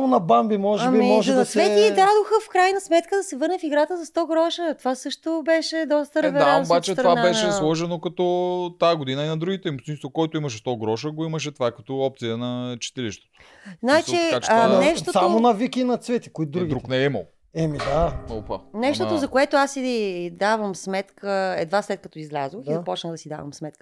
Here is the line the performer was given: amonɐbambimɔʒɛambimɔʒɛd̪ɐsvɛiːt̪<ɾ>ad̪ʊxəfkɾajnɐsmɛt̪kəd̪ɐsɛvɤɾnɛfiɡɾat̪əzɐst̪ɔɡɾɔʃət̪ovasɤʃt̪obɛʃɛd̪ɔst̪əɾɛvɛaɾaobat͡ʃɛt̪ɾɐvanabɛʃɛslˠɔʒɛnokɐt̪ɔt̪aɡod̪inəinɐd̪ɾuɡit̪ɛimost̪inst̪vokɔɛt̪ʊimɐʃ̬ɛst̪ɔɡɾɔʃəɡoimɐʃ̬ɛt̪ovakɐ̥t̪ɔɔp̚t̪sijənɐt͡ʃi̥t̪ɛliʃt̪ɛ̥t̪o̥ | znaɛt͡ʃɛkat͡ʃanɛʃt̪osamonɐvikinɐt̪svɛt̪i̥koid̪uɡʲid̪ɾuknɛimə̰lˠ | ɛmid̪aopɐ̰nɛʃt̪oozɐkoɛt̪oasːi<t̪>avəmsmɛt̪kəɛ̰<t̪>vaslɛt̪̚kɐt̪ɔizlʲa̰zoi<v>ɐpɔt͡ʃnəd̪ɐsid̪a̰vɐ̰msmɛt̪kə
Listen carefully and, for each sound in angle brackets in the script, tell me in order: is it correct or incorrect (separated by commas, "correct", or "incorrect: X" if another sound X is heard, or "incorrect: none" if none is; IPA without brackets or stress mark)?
correct, incorrect: d̪, incorrect: d̪, incorrect: z